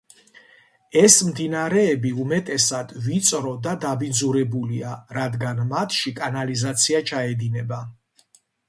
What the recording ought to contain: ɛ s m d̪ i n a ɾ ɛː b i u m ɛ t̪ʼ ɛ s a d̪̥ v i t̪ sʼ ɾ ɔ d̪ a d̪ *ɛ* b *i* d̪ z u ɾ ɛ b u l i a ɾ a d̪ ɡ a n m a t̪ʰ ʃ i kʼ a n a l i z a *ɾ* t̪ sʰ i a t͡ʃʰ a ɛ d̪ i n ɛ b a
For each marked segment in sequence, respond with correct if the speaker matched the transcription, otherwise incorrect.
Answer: incorrect: a, correct, incorrect: none

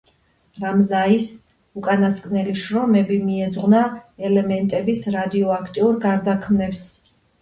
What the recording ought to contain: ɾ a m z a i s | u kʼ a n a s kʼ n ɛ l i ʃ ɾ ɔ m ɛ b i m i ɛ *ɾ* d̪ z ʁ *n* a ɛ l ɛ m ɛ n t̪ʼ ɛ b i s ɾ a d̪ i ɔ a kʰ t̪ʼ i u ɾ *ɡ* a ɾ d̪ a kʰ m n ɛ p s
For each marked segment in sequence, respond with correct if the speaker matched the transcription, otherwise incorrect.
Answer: incorrect: none, correct, correct

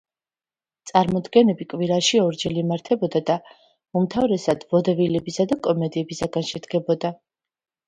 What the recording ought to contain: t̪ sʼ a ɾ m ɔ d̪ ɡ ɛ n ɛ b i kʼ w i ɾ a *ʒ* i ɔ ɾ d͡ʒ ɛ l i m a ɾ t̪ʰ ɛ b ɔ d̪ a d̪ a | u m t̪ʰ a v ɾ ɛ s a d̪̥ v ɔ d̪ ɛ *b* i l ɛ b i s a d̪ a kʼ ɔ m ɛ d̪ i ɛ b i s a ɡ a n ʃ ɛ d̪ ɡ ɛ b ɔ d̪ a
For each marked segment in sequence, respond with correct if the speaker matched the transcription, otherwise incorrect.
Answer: incorrect: ʃ, incorrect: v

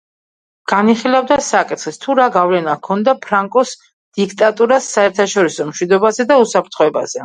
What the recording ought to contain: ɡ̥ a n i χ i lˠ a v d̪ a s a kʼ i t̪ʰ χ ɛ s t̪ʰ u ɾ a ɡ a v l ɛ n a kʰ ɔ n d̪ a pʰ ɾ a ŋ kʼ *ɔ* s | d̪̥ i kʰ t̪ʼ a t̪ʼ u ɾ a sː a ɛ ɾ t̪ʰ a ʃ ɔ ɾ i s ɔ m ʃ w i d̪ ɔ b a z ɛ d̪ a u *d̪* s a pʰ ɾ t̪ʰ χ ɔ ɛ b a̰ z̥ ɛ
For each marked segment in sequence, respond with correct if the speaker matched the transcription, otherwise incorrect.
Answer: correct, incorrect: none

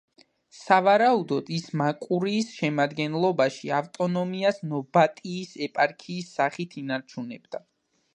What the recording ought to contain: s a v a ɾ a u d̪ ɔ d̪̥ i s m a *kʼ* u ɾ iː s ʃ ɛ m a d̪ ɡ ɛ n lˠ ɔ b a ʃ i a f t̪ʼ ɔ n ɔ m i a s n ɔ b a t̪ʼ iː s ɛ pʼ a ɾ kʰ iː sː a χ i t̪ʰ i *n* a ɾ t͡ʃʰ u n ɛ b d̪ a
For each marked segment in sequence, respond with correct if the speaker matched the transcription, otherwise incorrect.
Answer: correct, correct

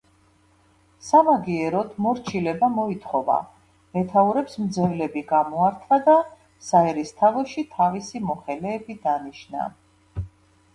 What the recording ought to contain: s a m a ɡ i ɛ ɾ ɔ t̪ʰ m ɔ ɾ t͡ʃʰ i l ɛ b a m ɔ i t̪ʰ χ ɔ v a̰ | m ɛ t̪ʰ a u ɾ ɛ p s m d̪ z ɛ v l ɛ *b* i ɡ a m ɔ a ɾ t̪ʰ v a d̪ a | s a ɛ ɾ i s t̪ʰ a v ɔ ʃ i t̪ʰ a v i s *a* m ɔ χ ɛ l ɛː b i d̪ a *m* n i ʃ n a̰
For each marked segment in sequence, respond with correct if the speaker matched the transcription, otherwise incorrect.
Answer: correct, incorrect: i, incorrect: none

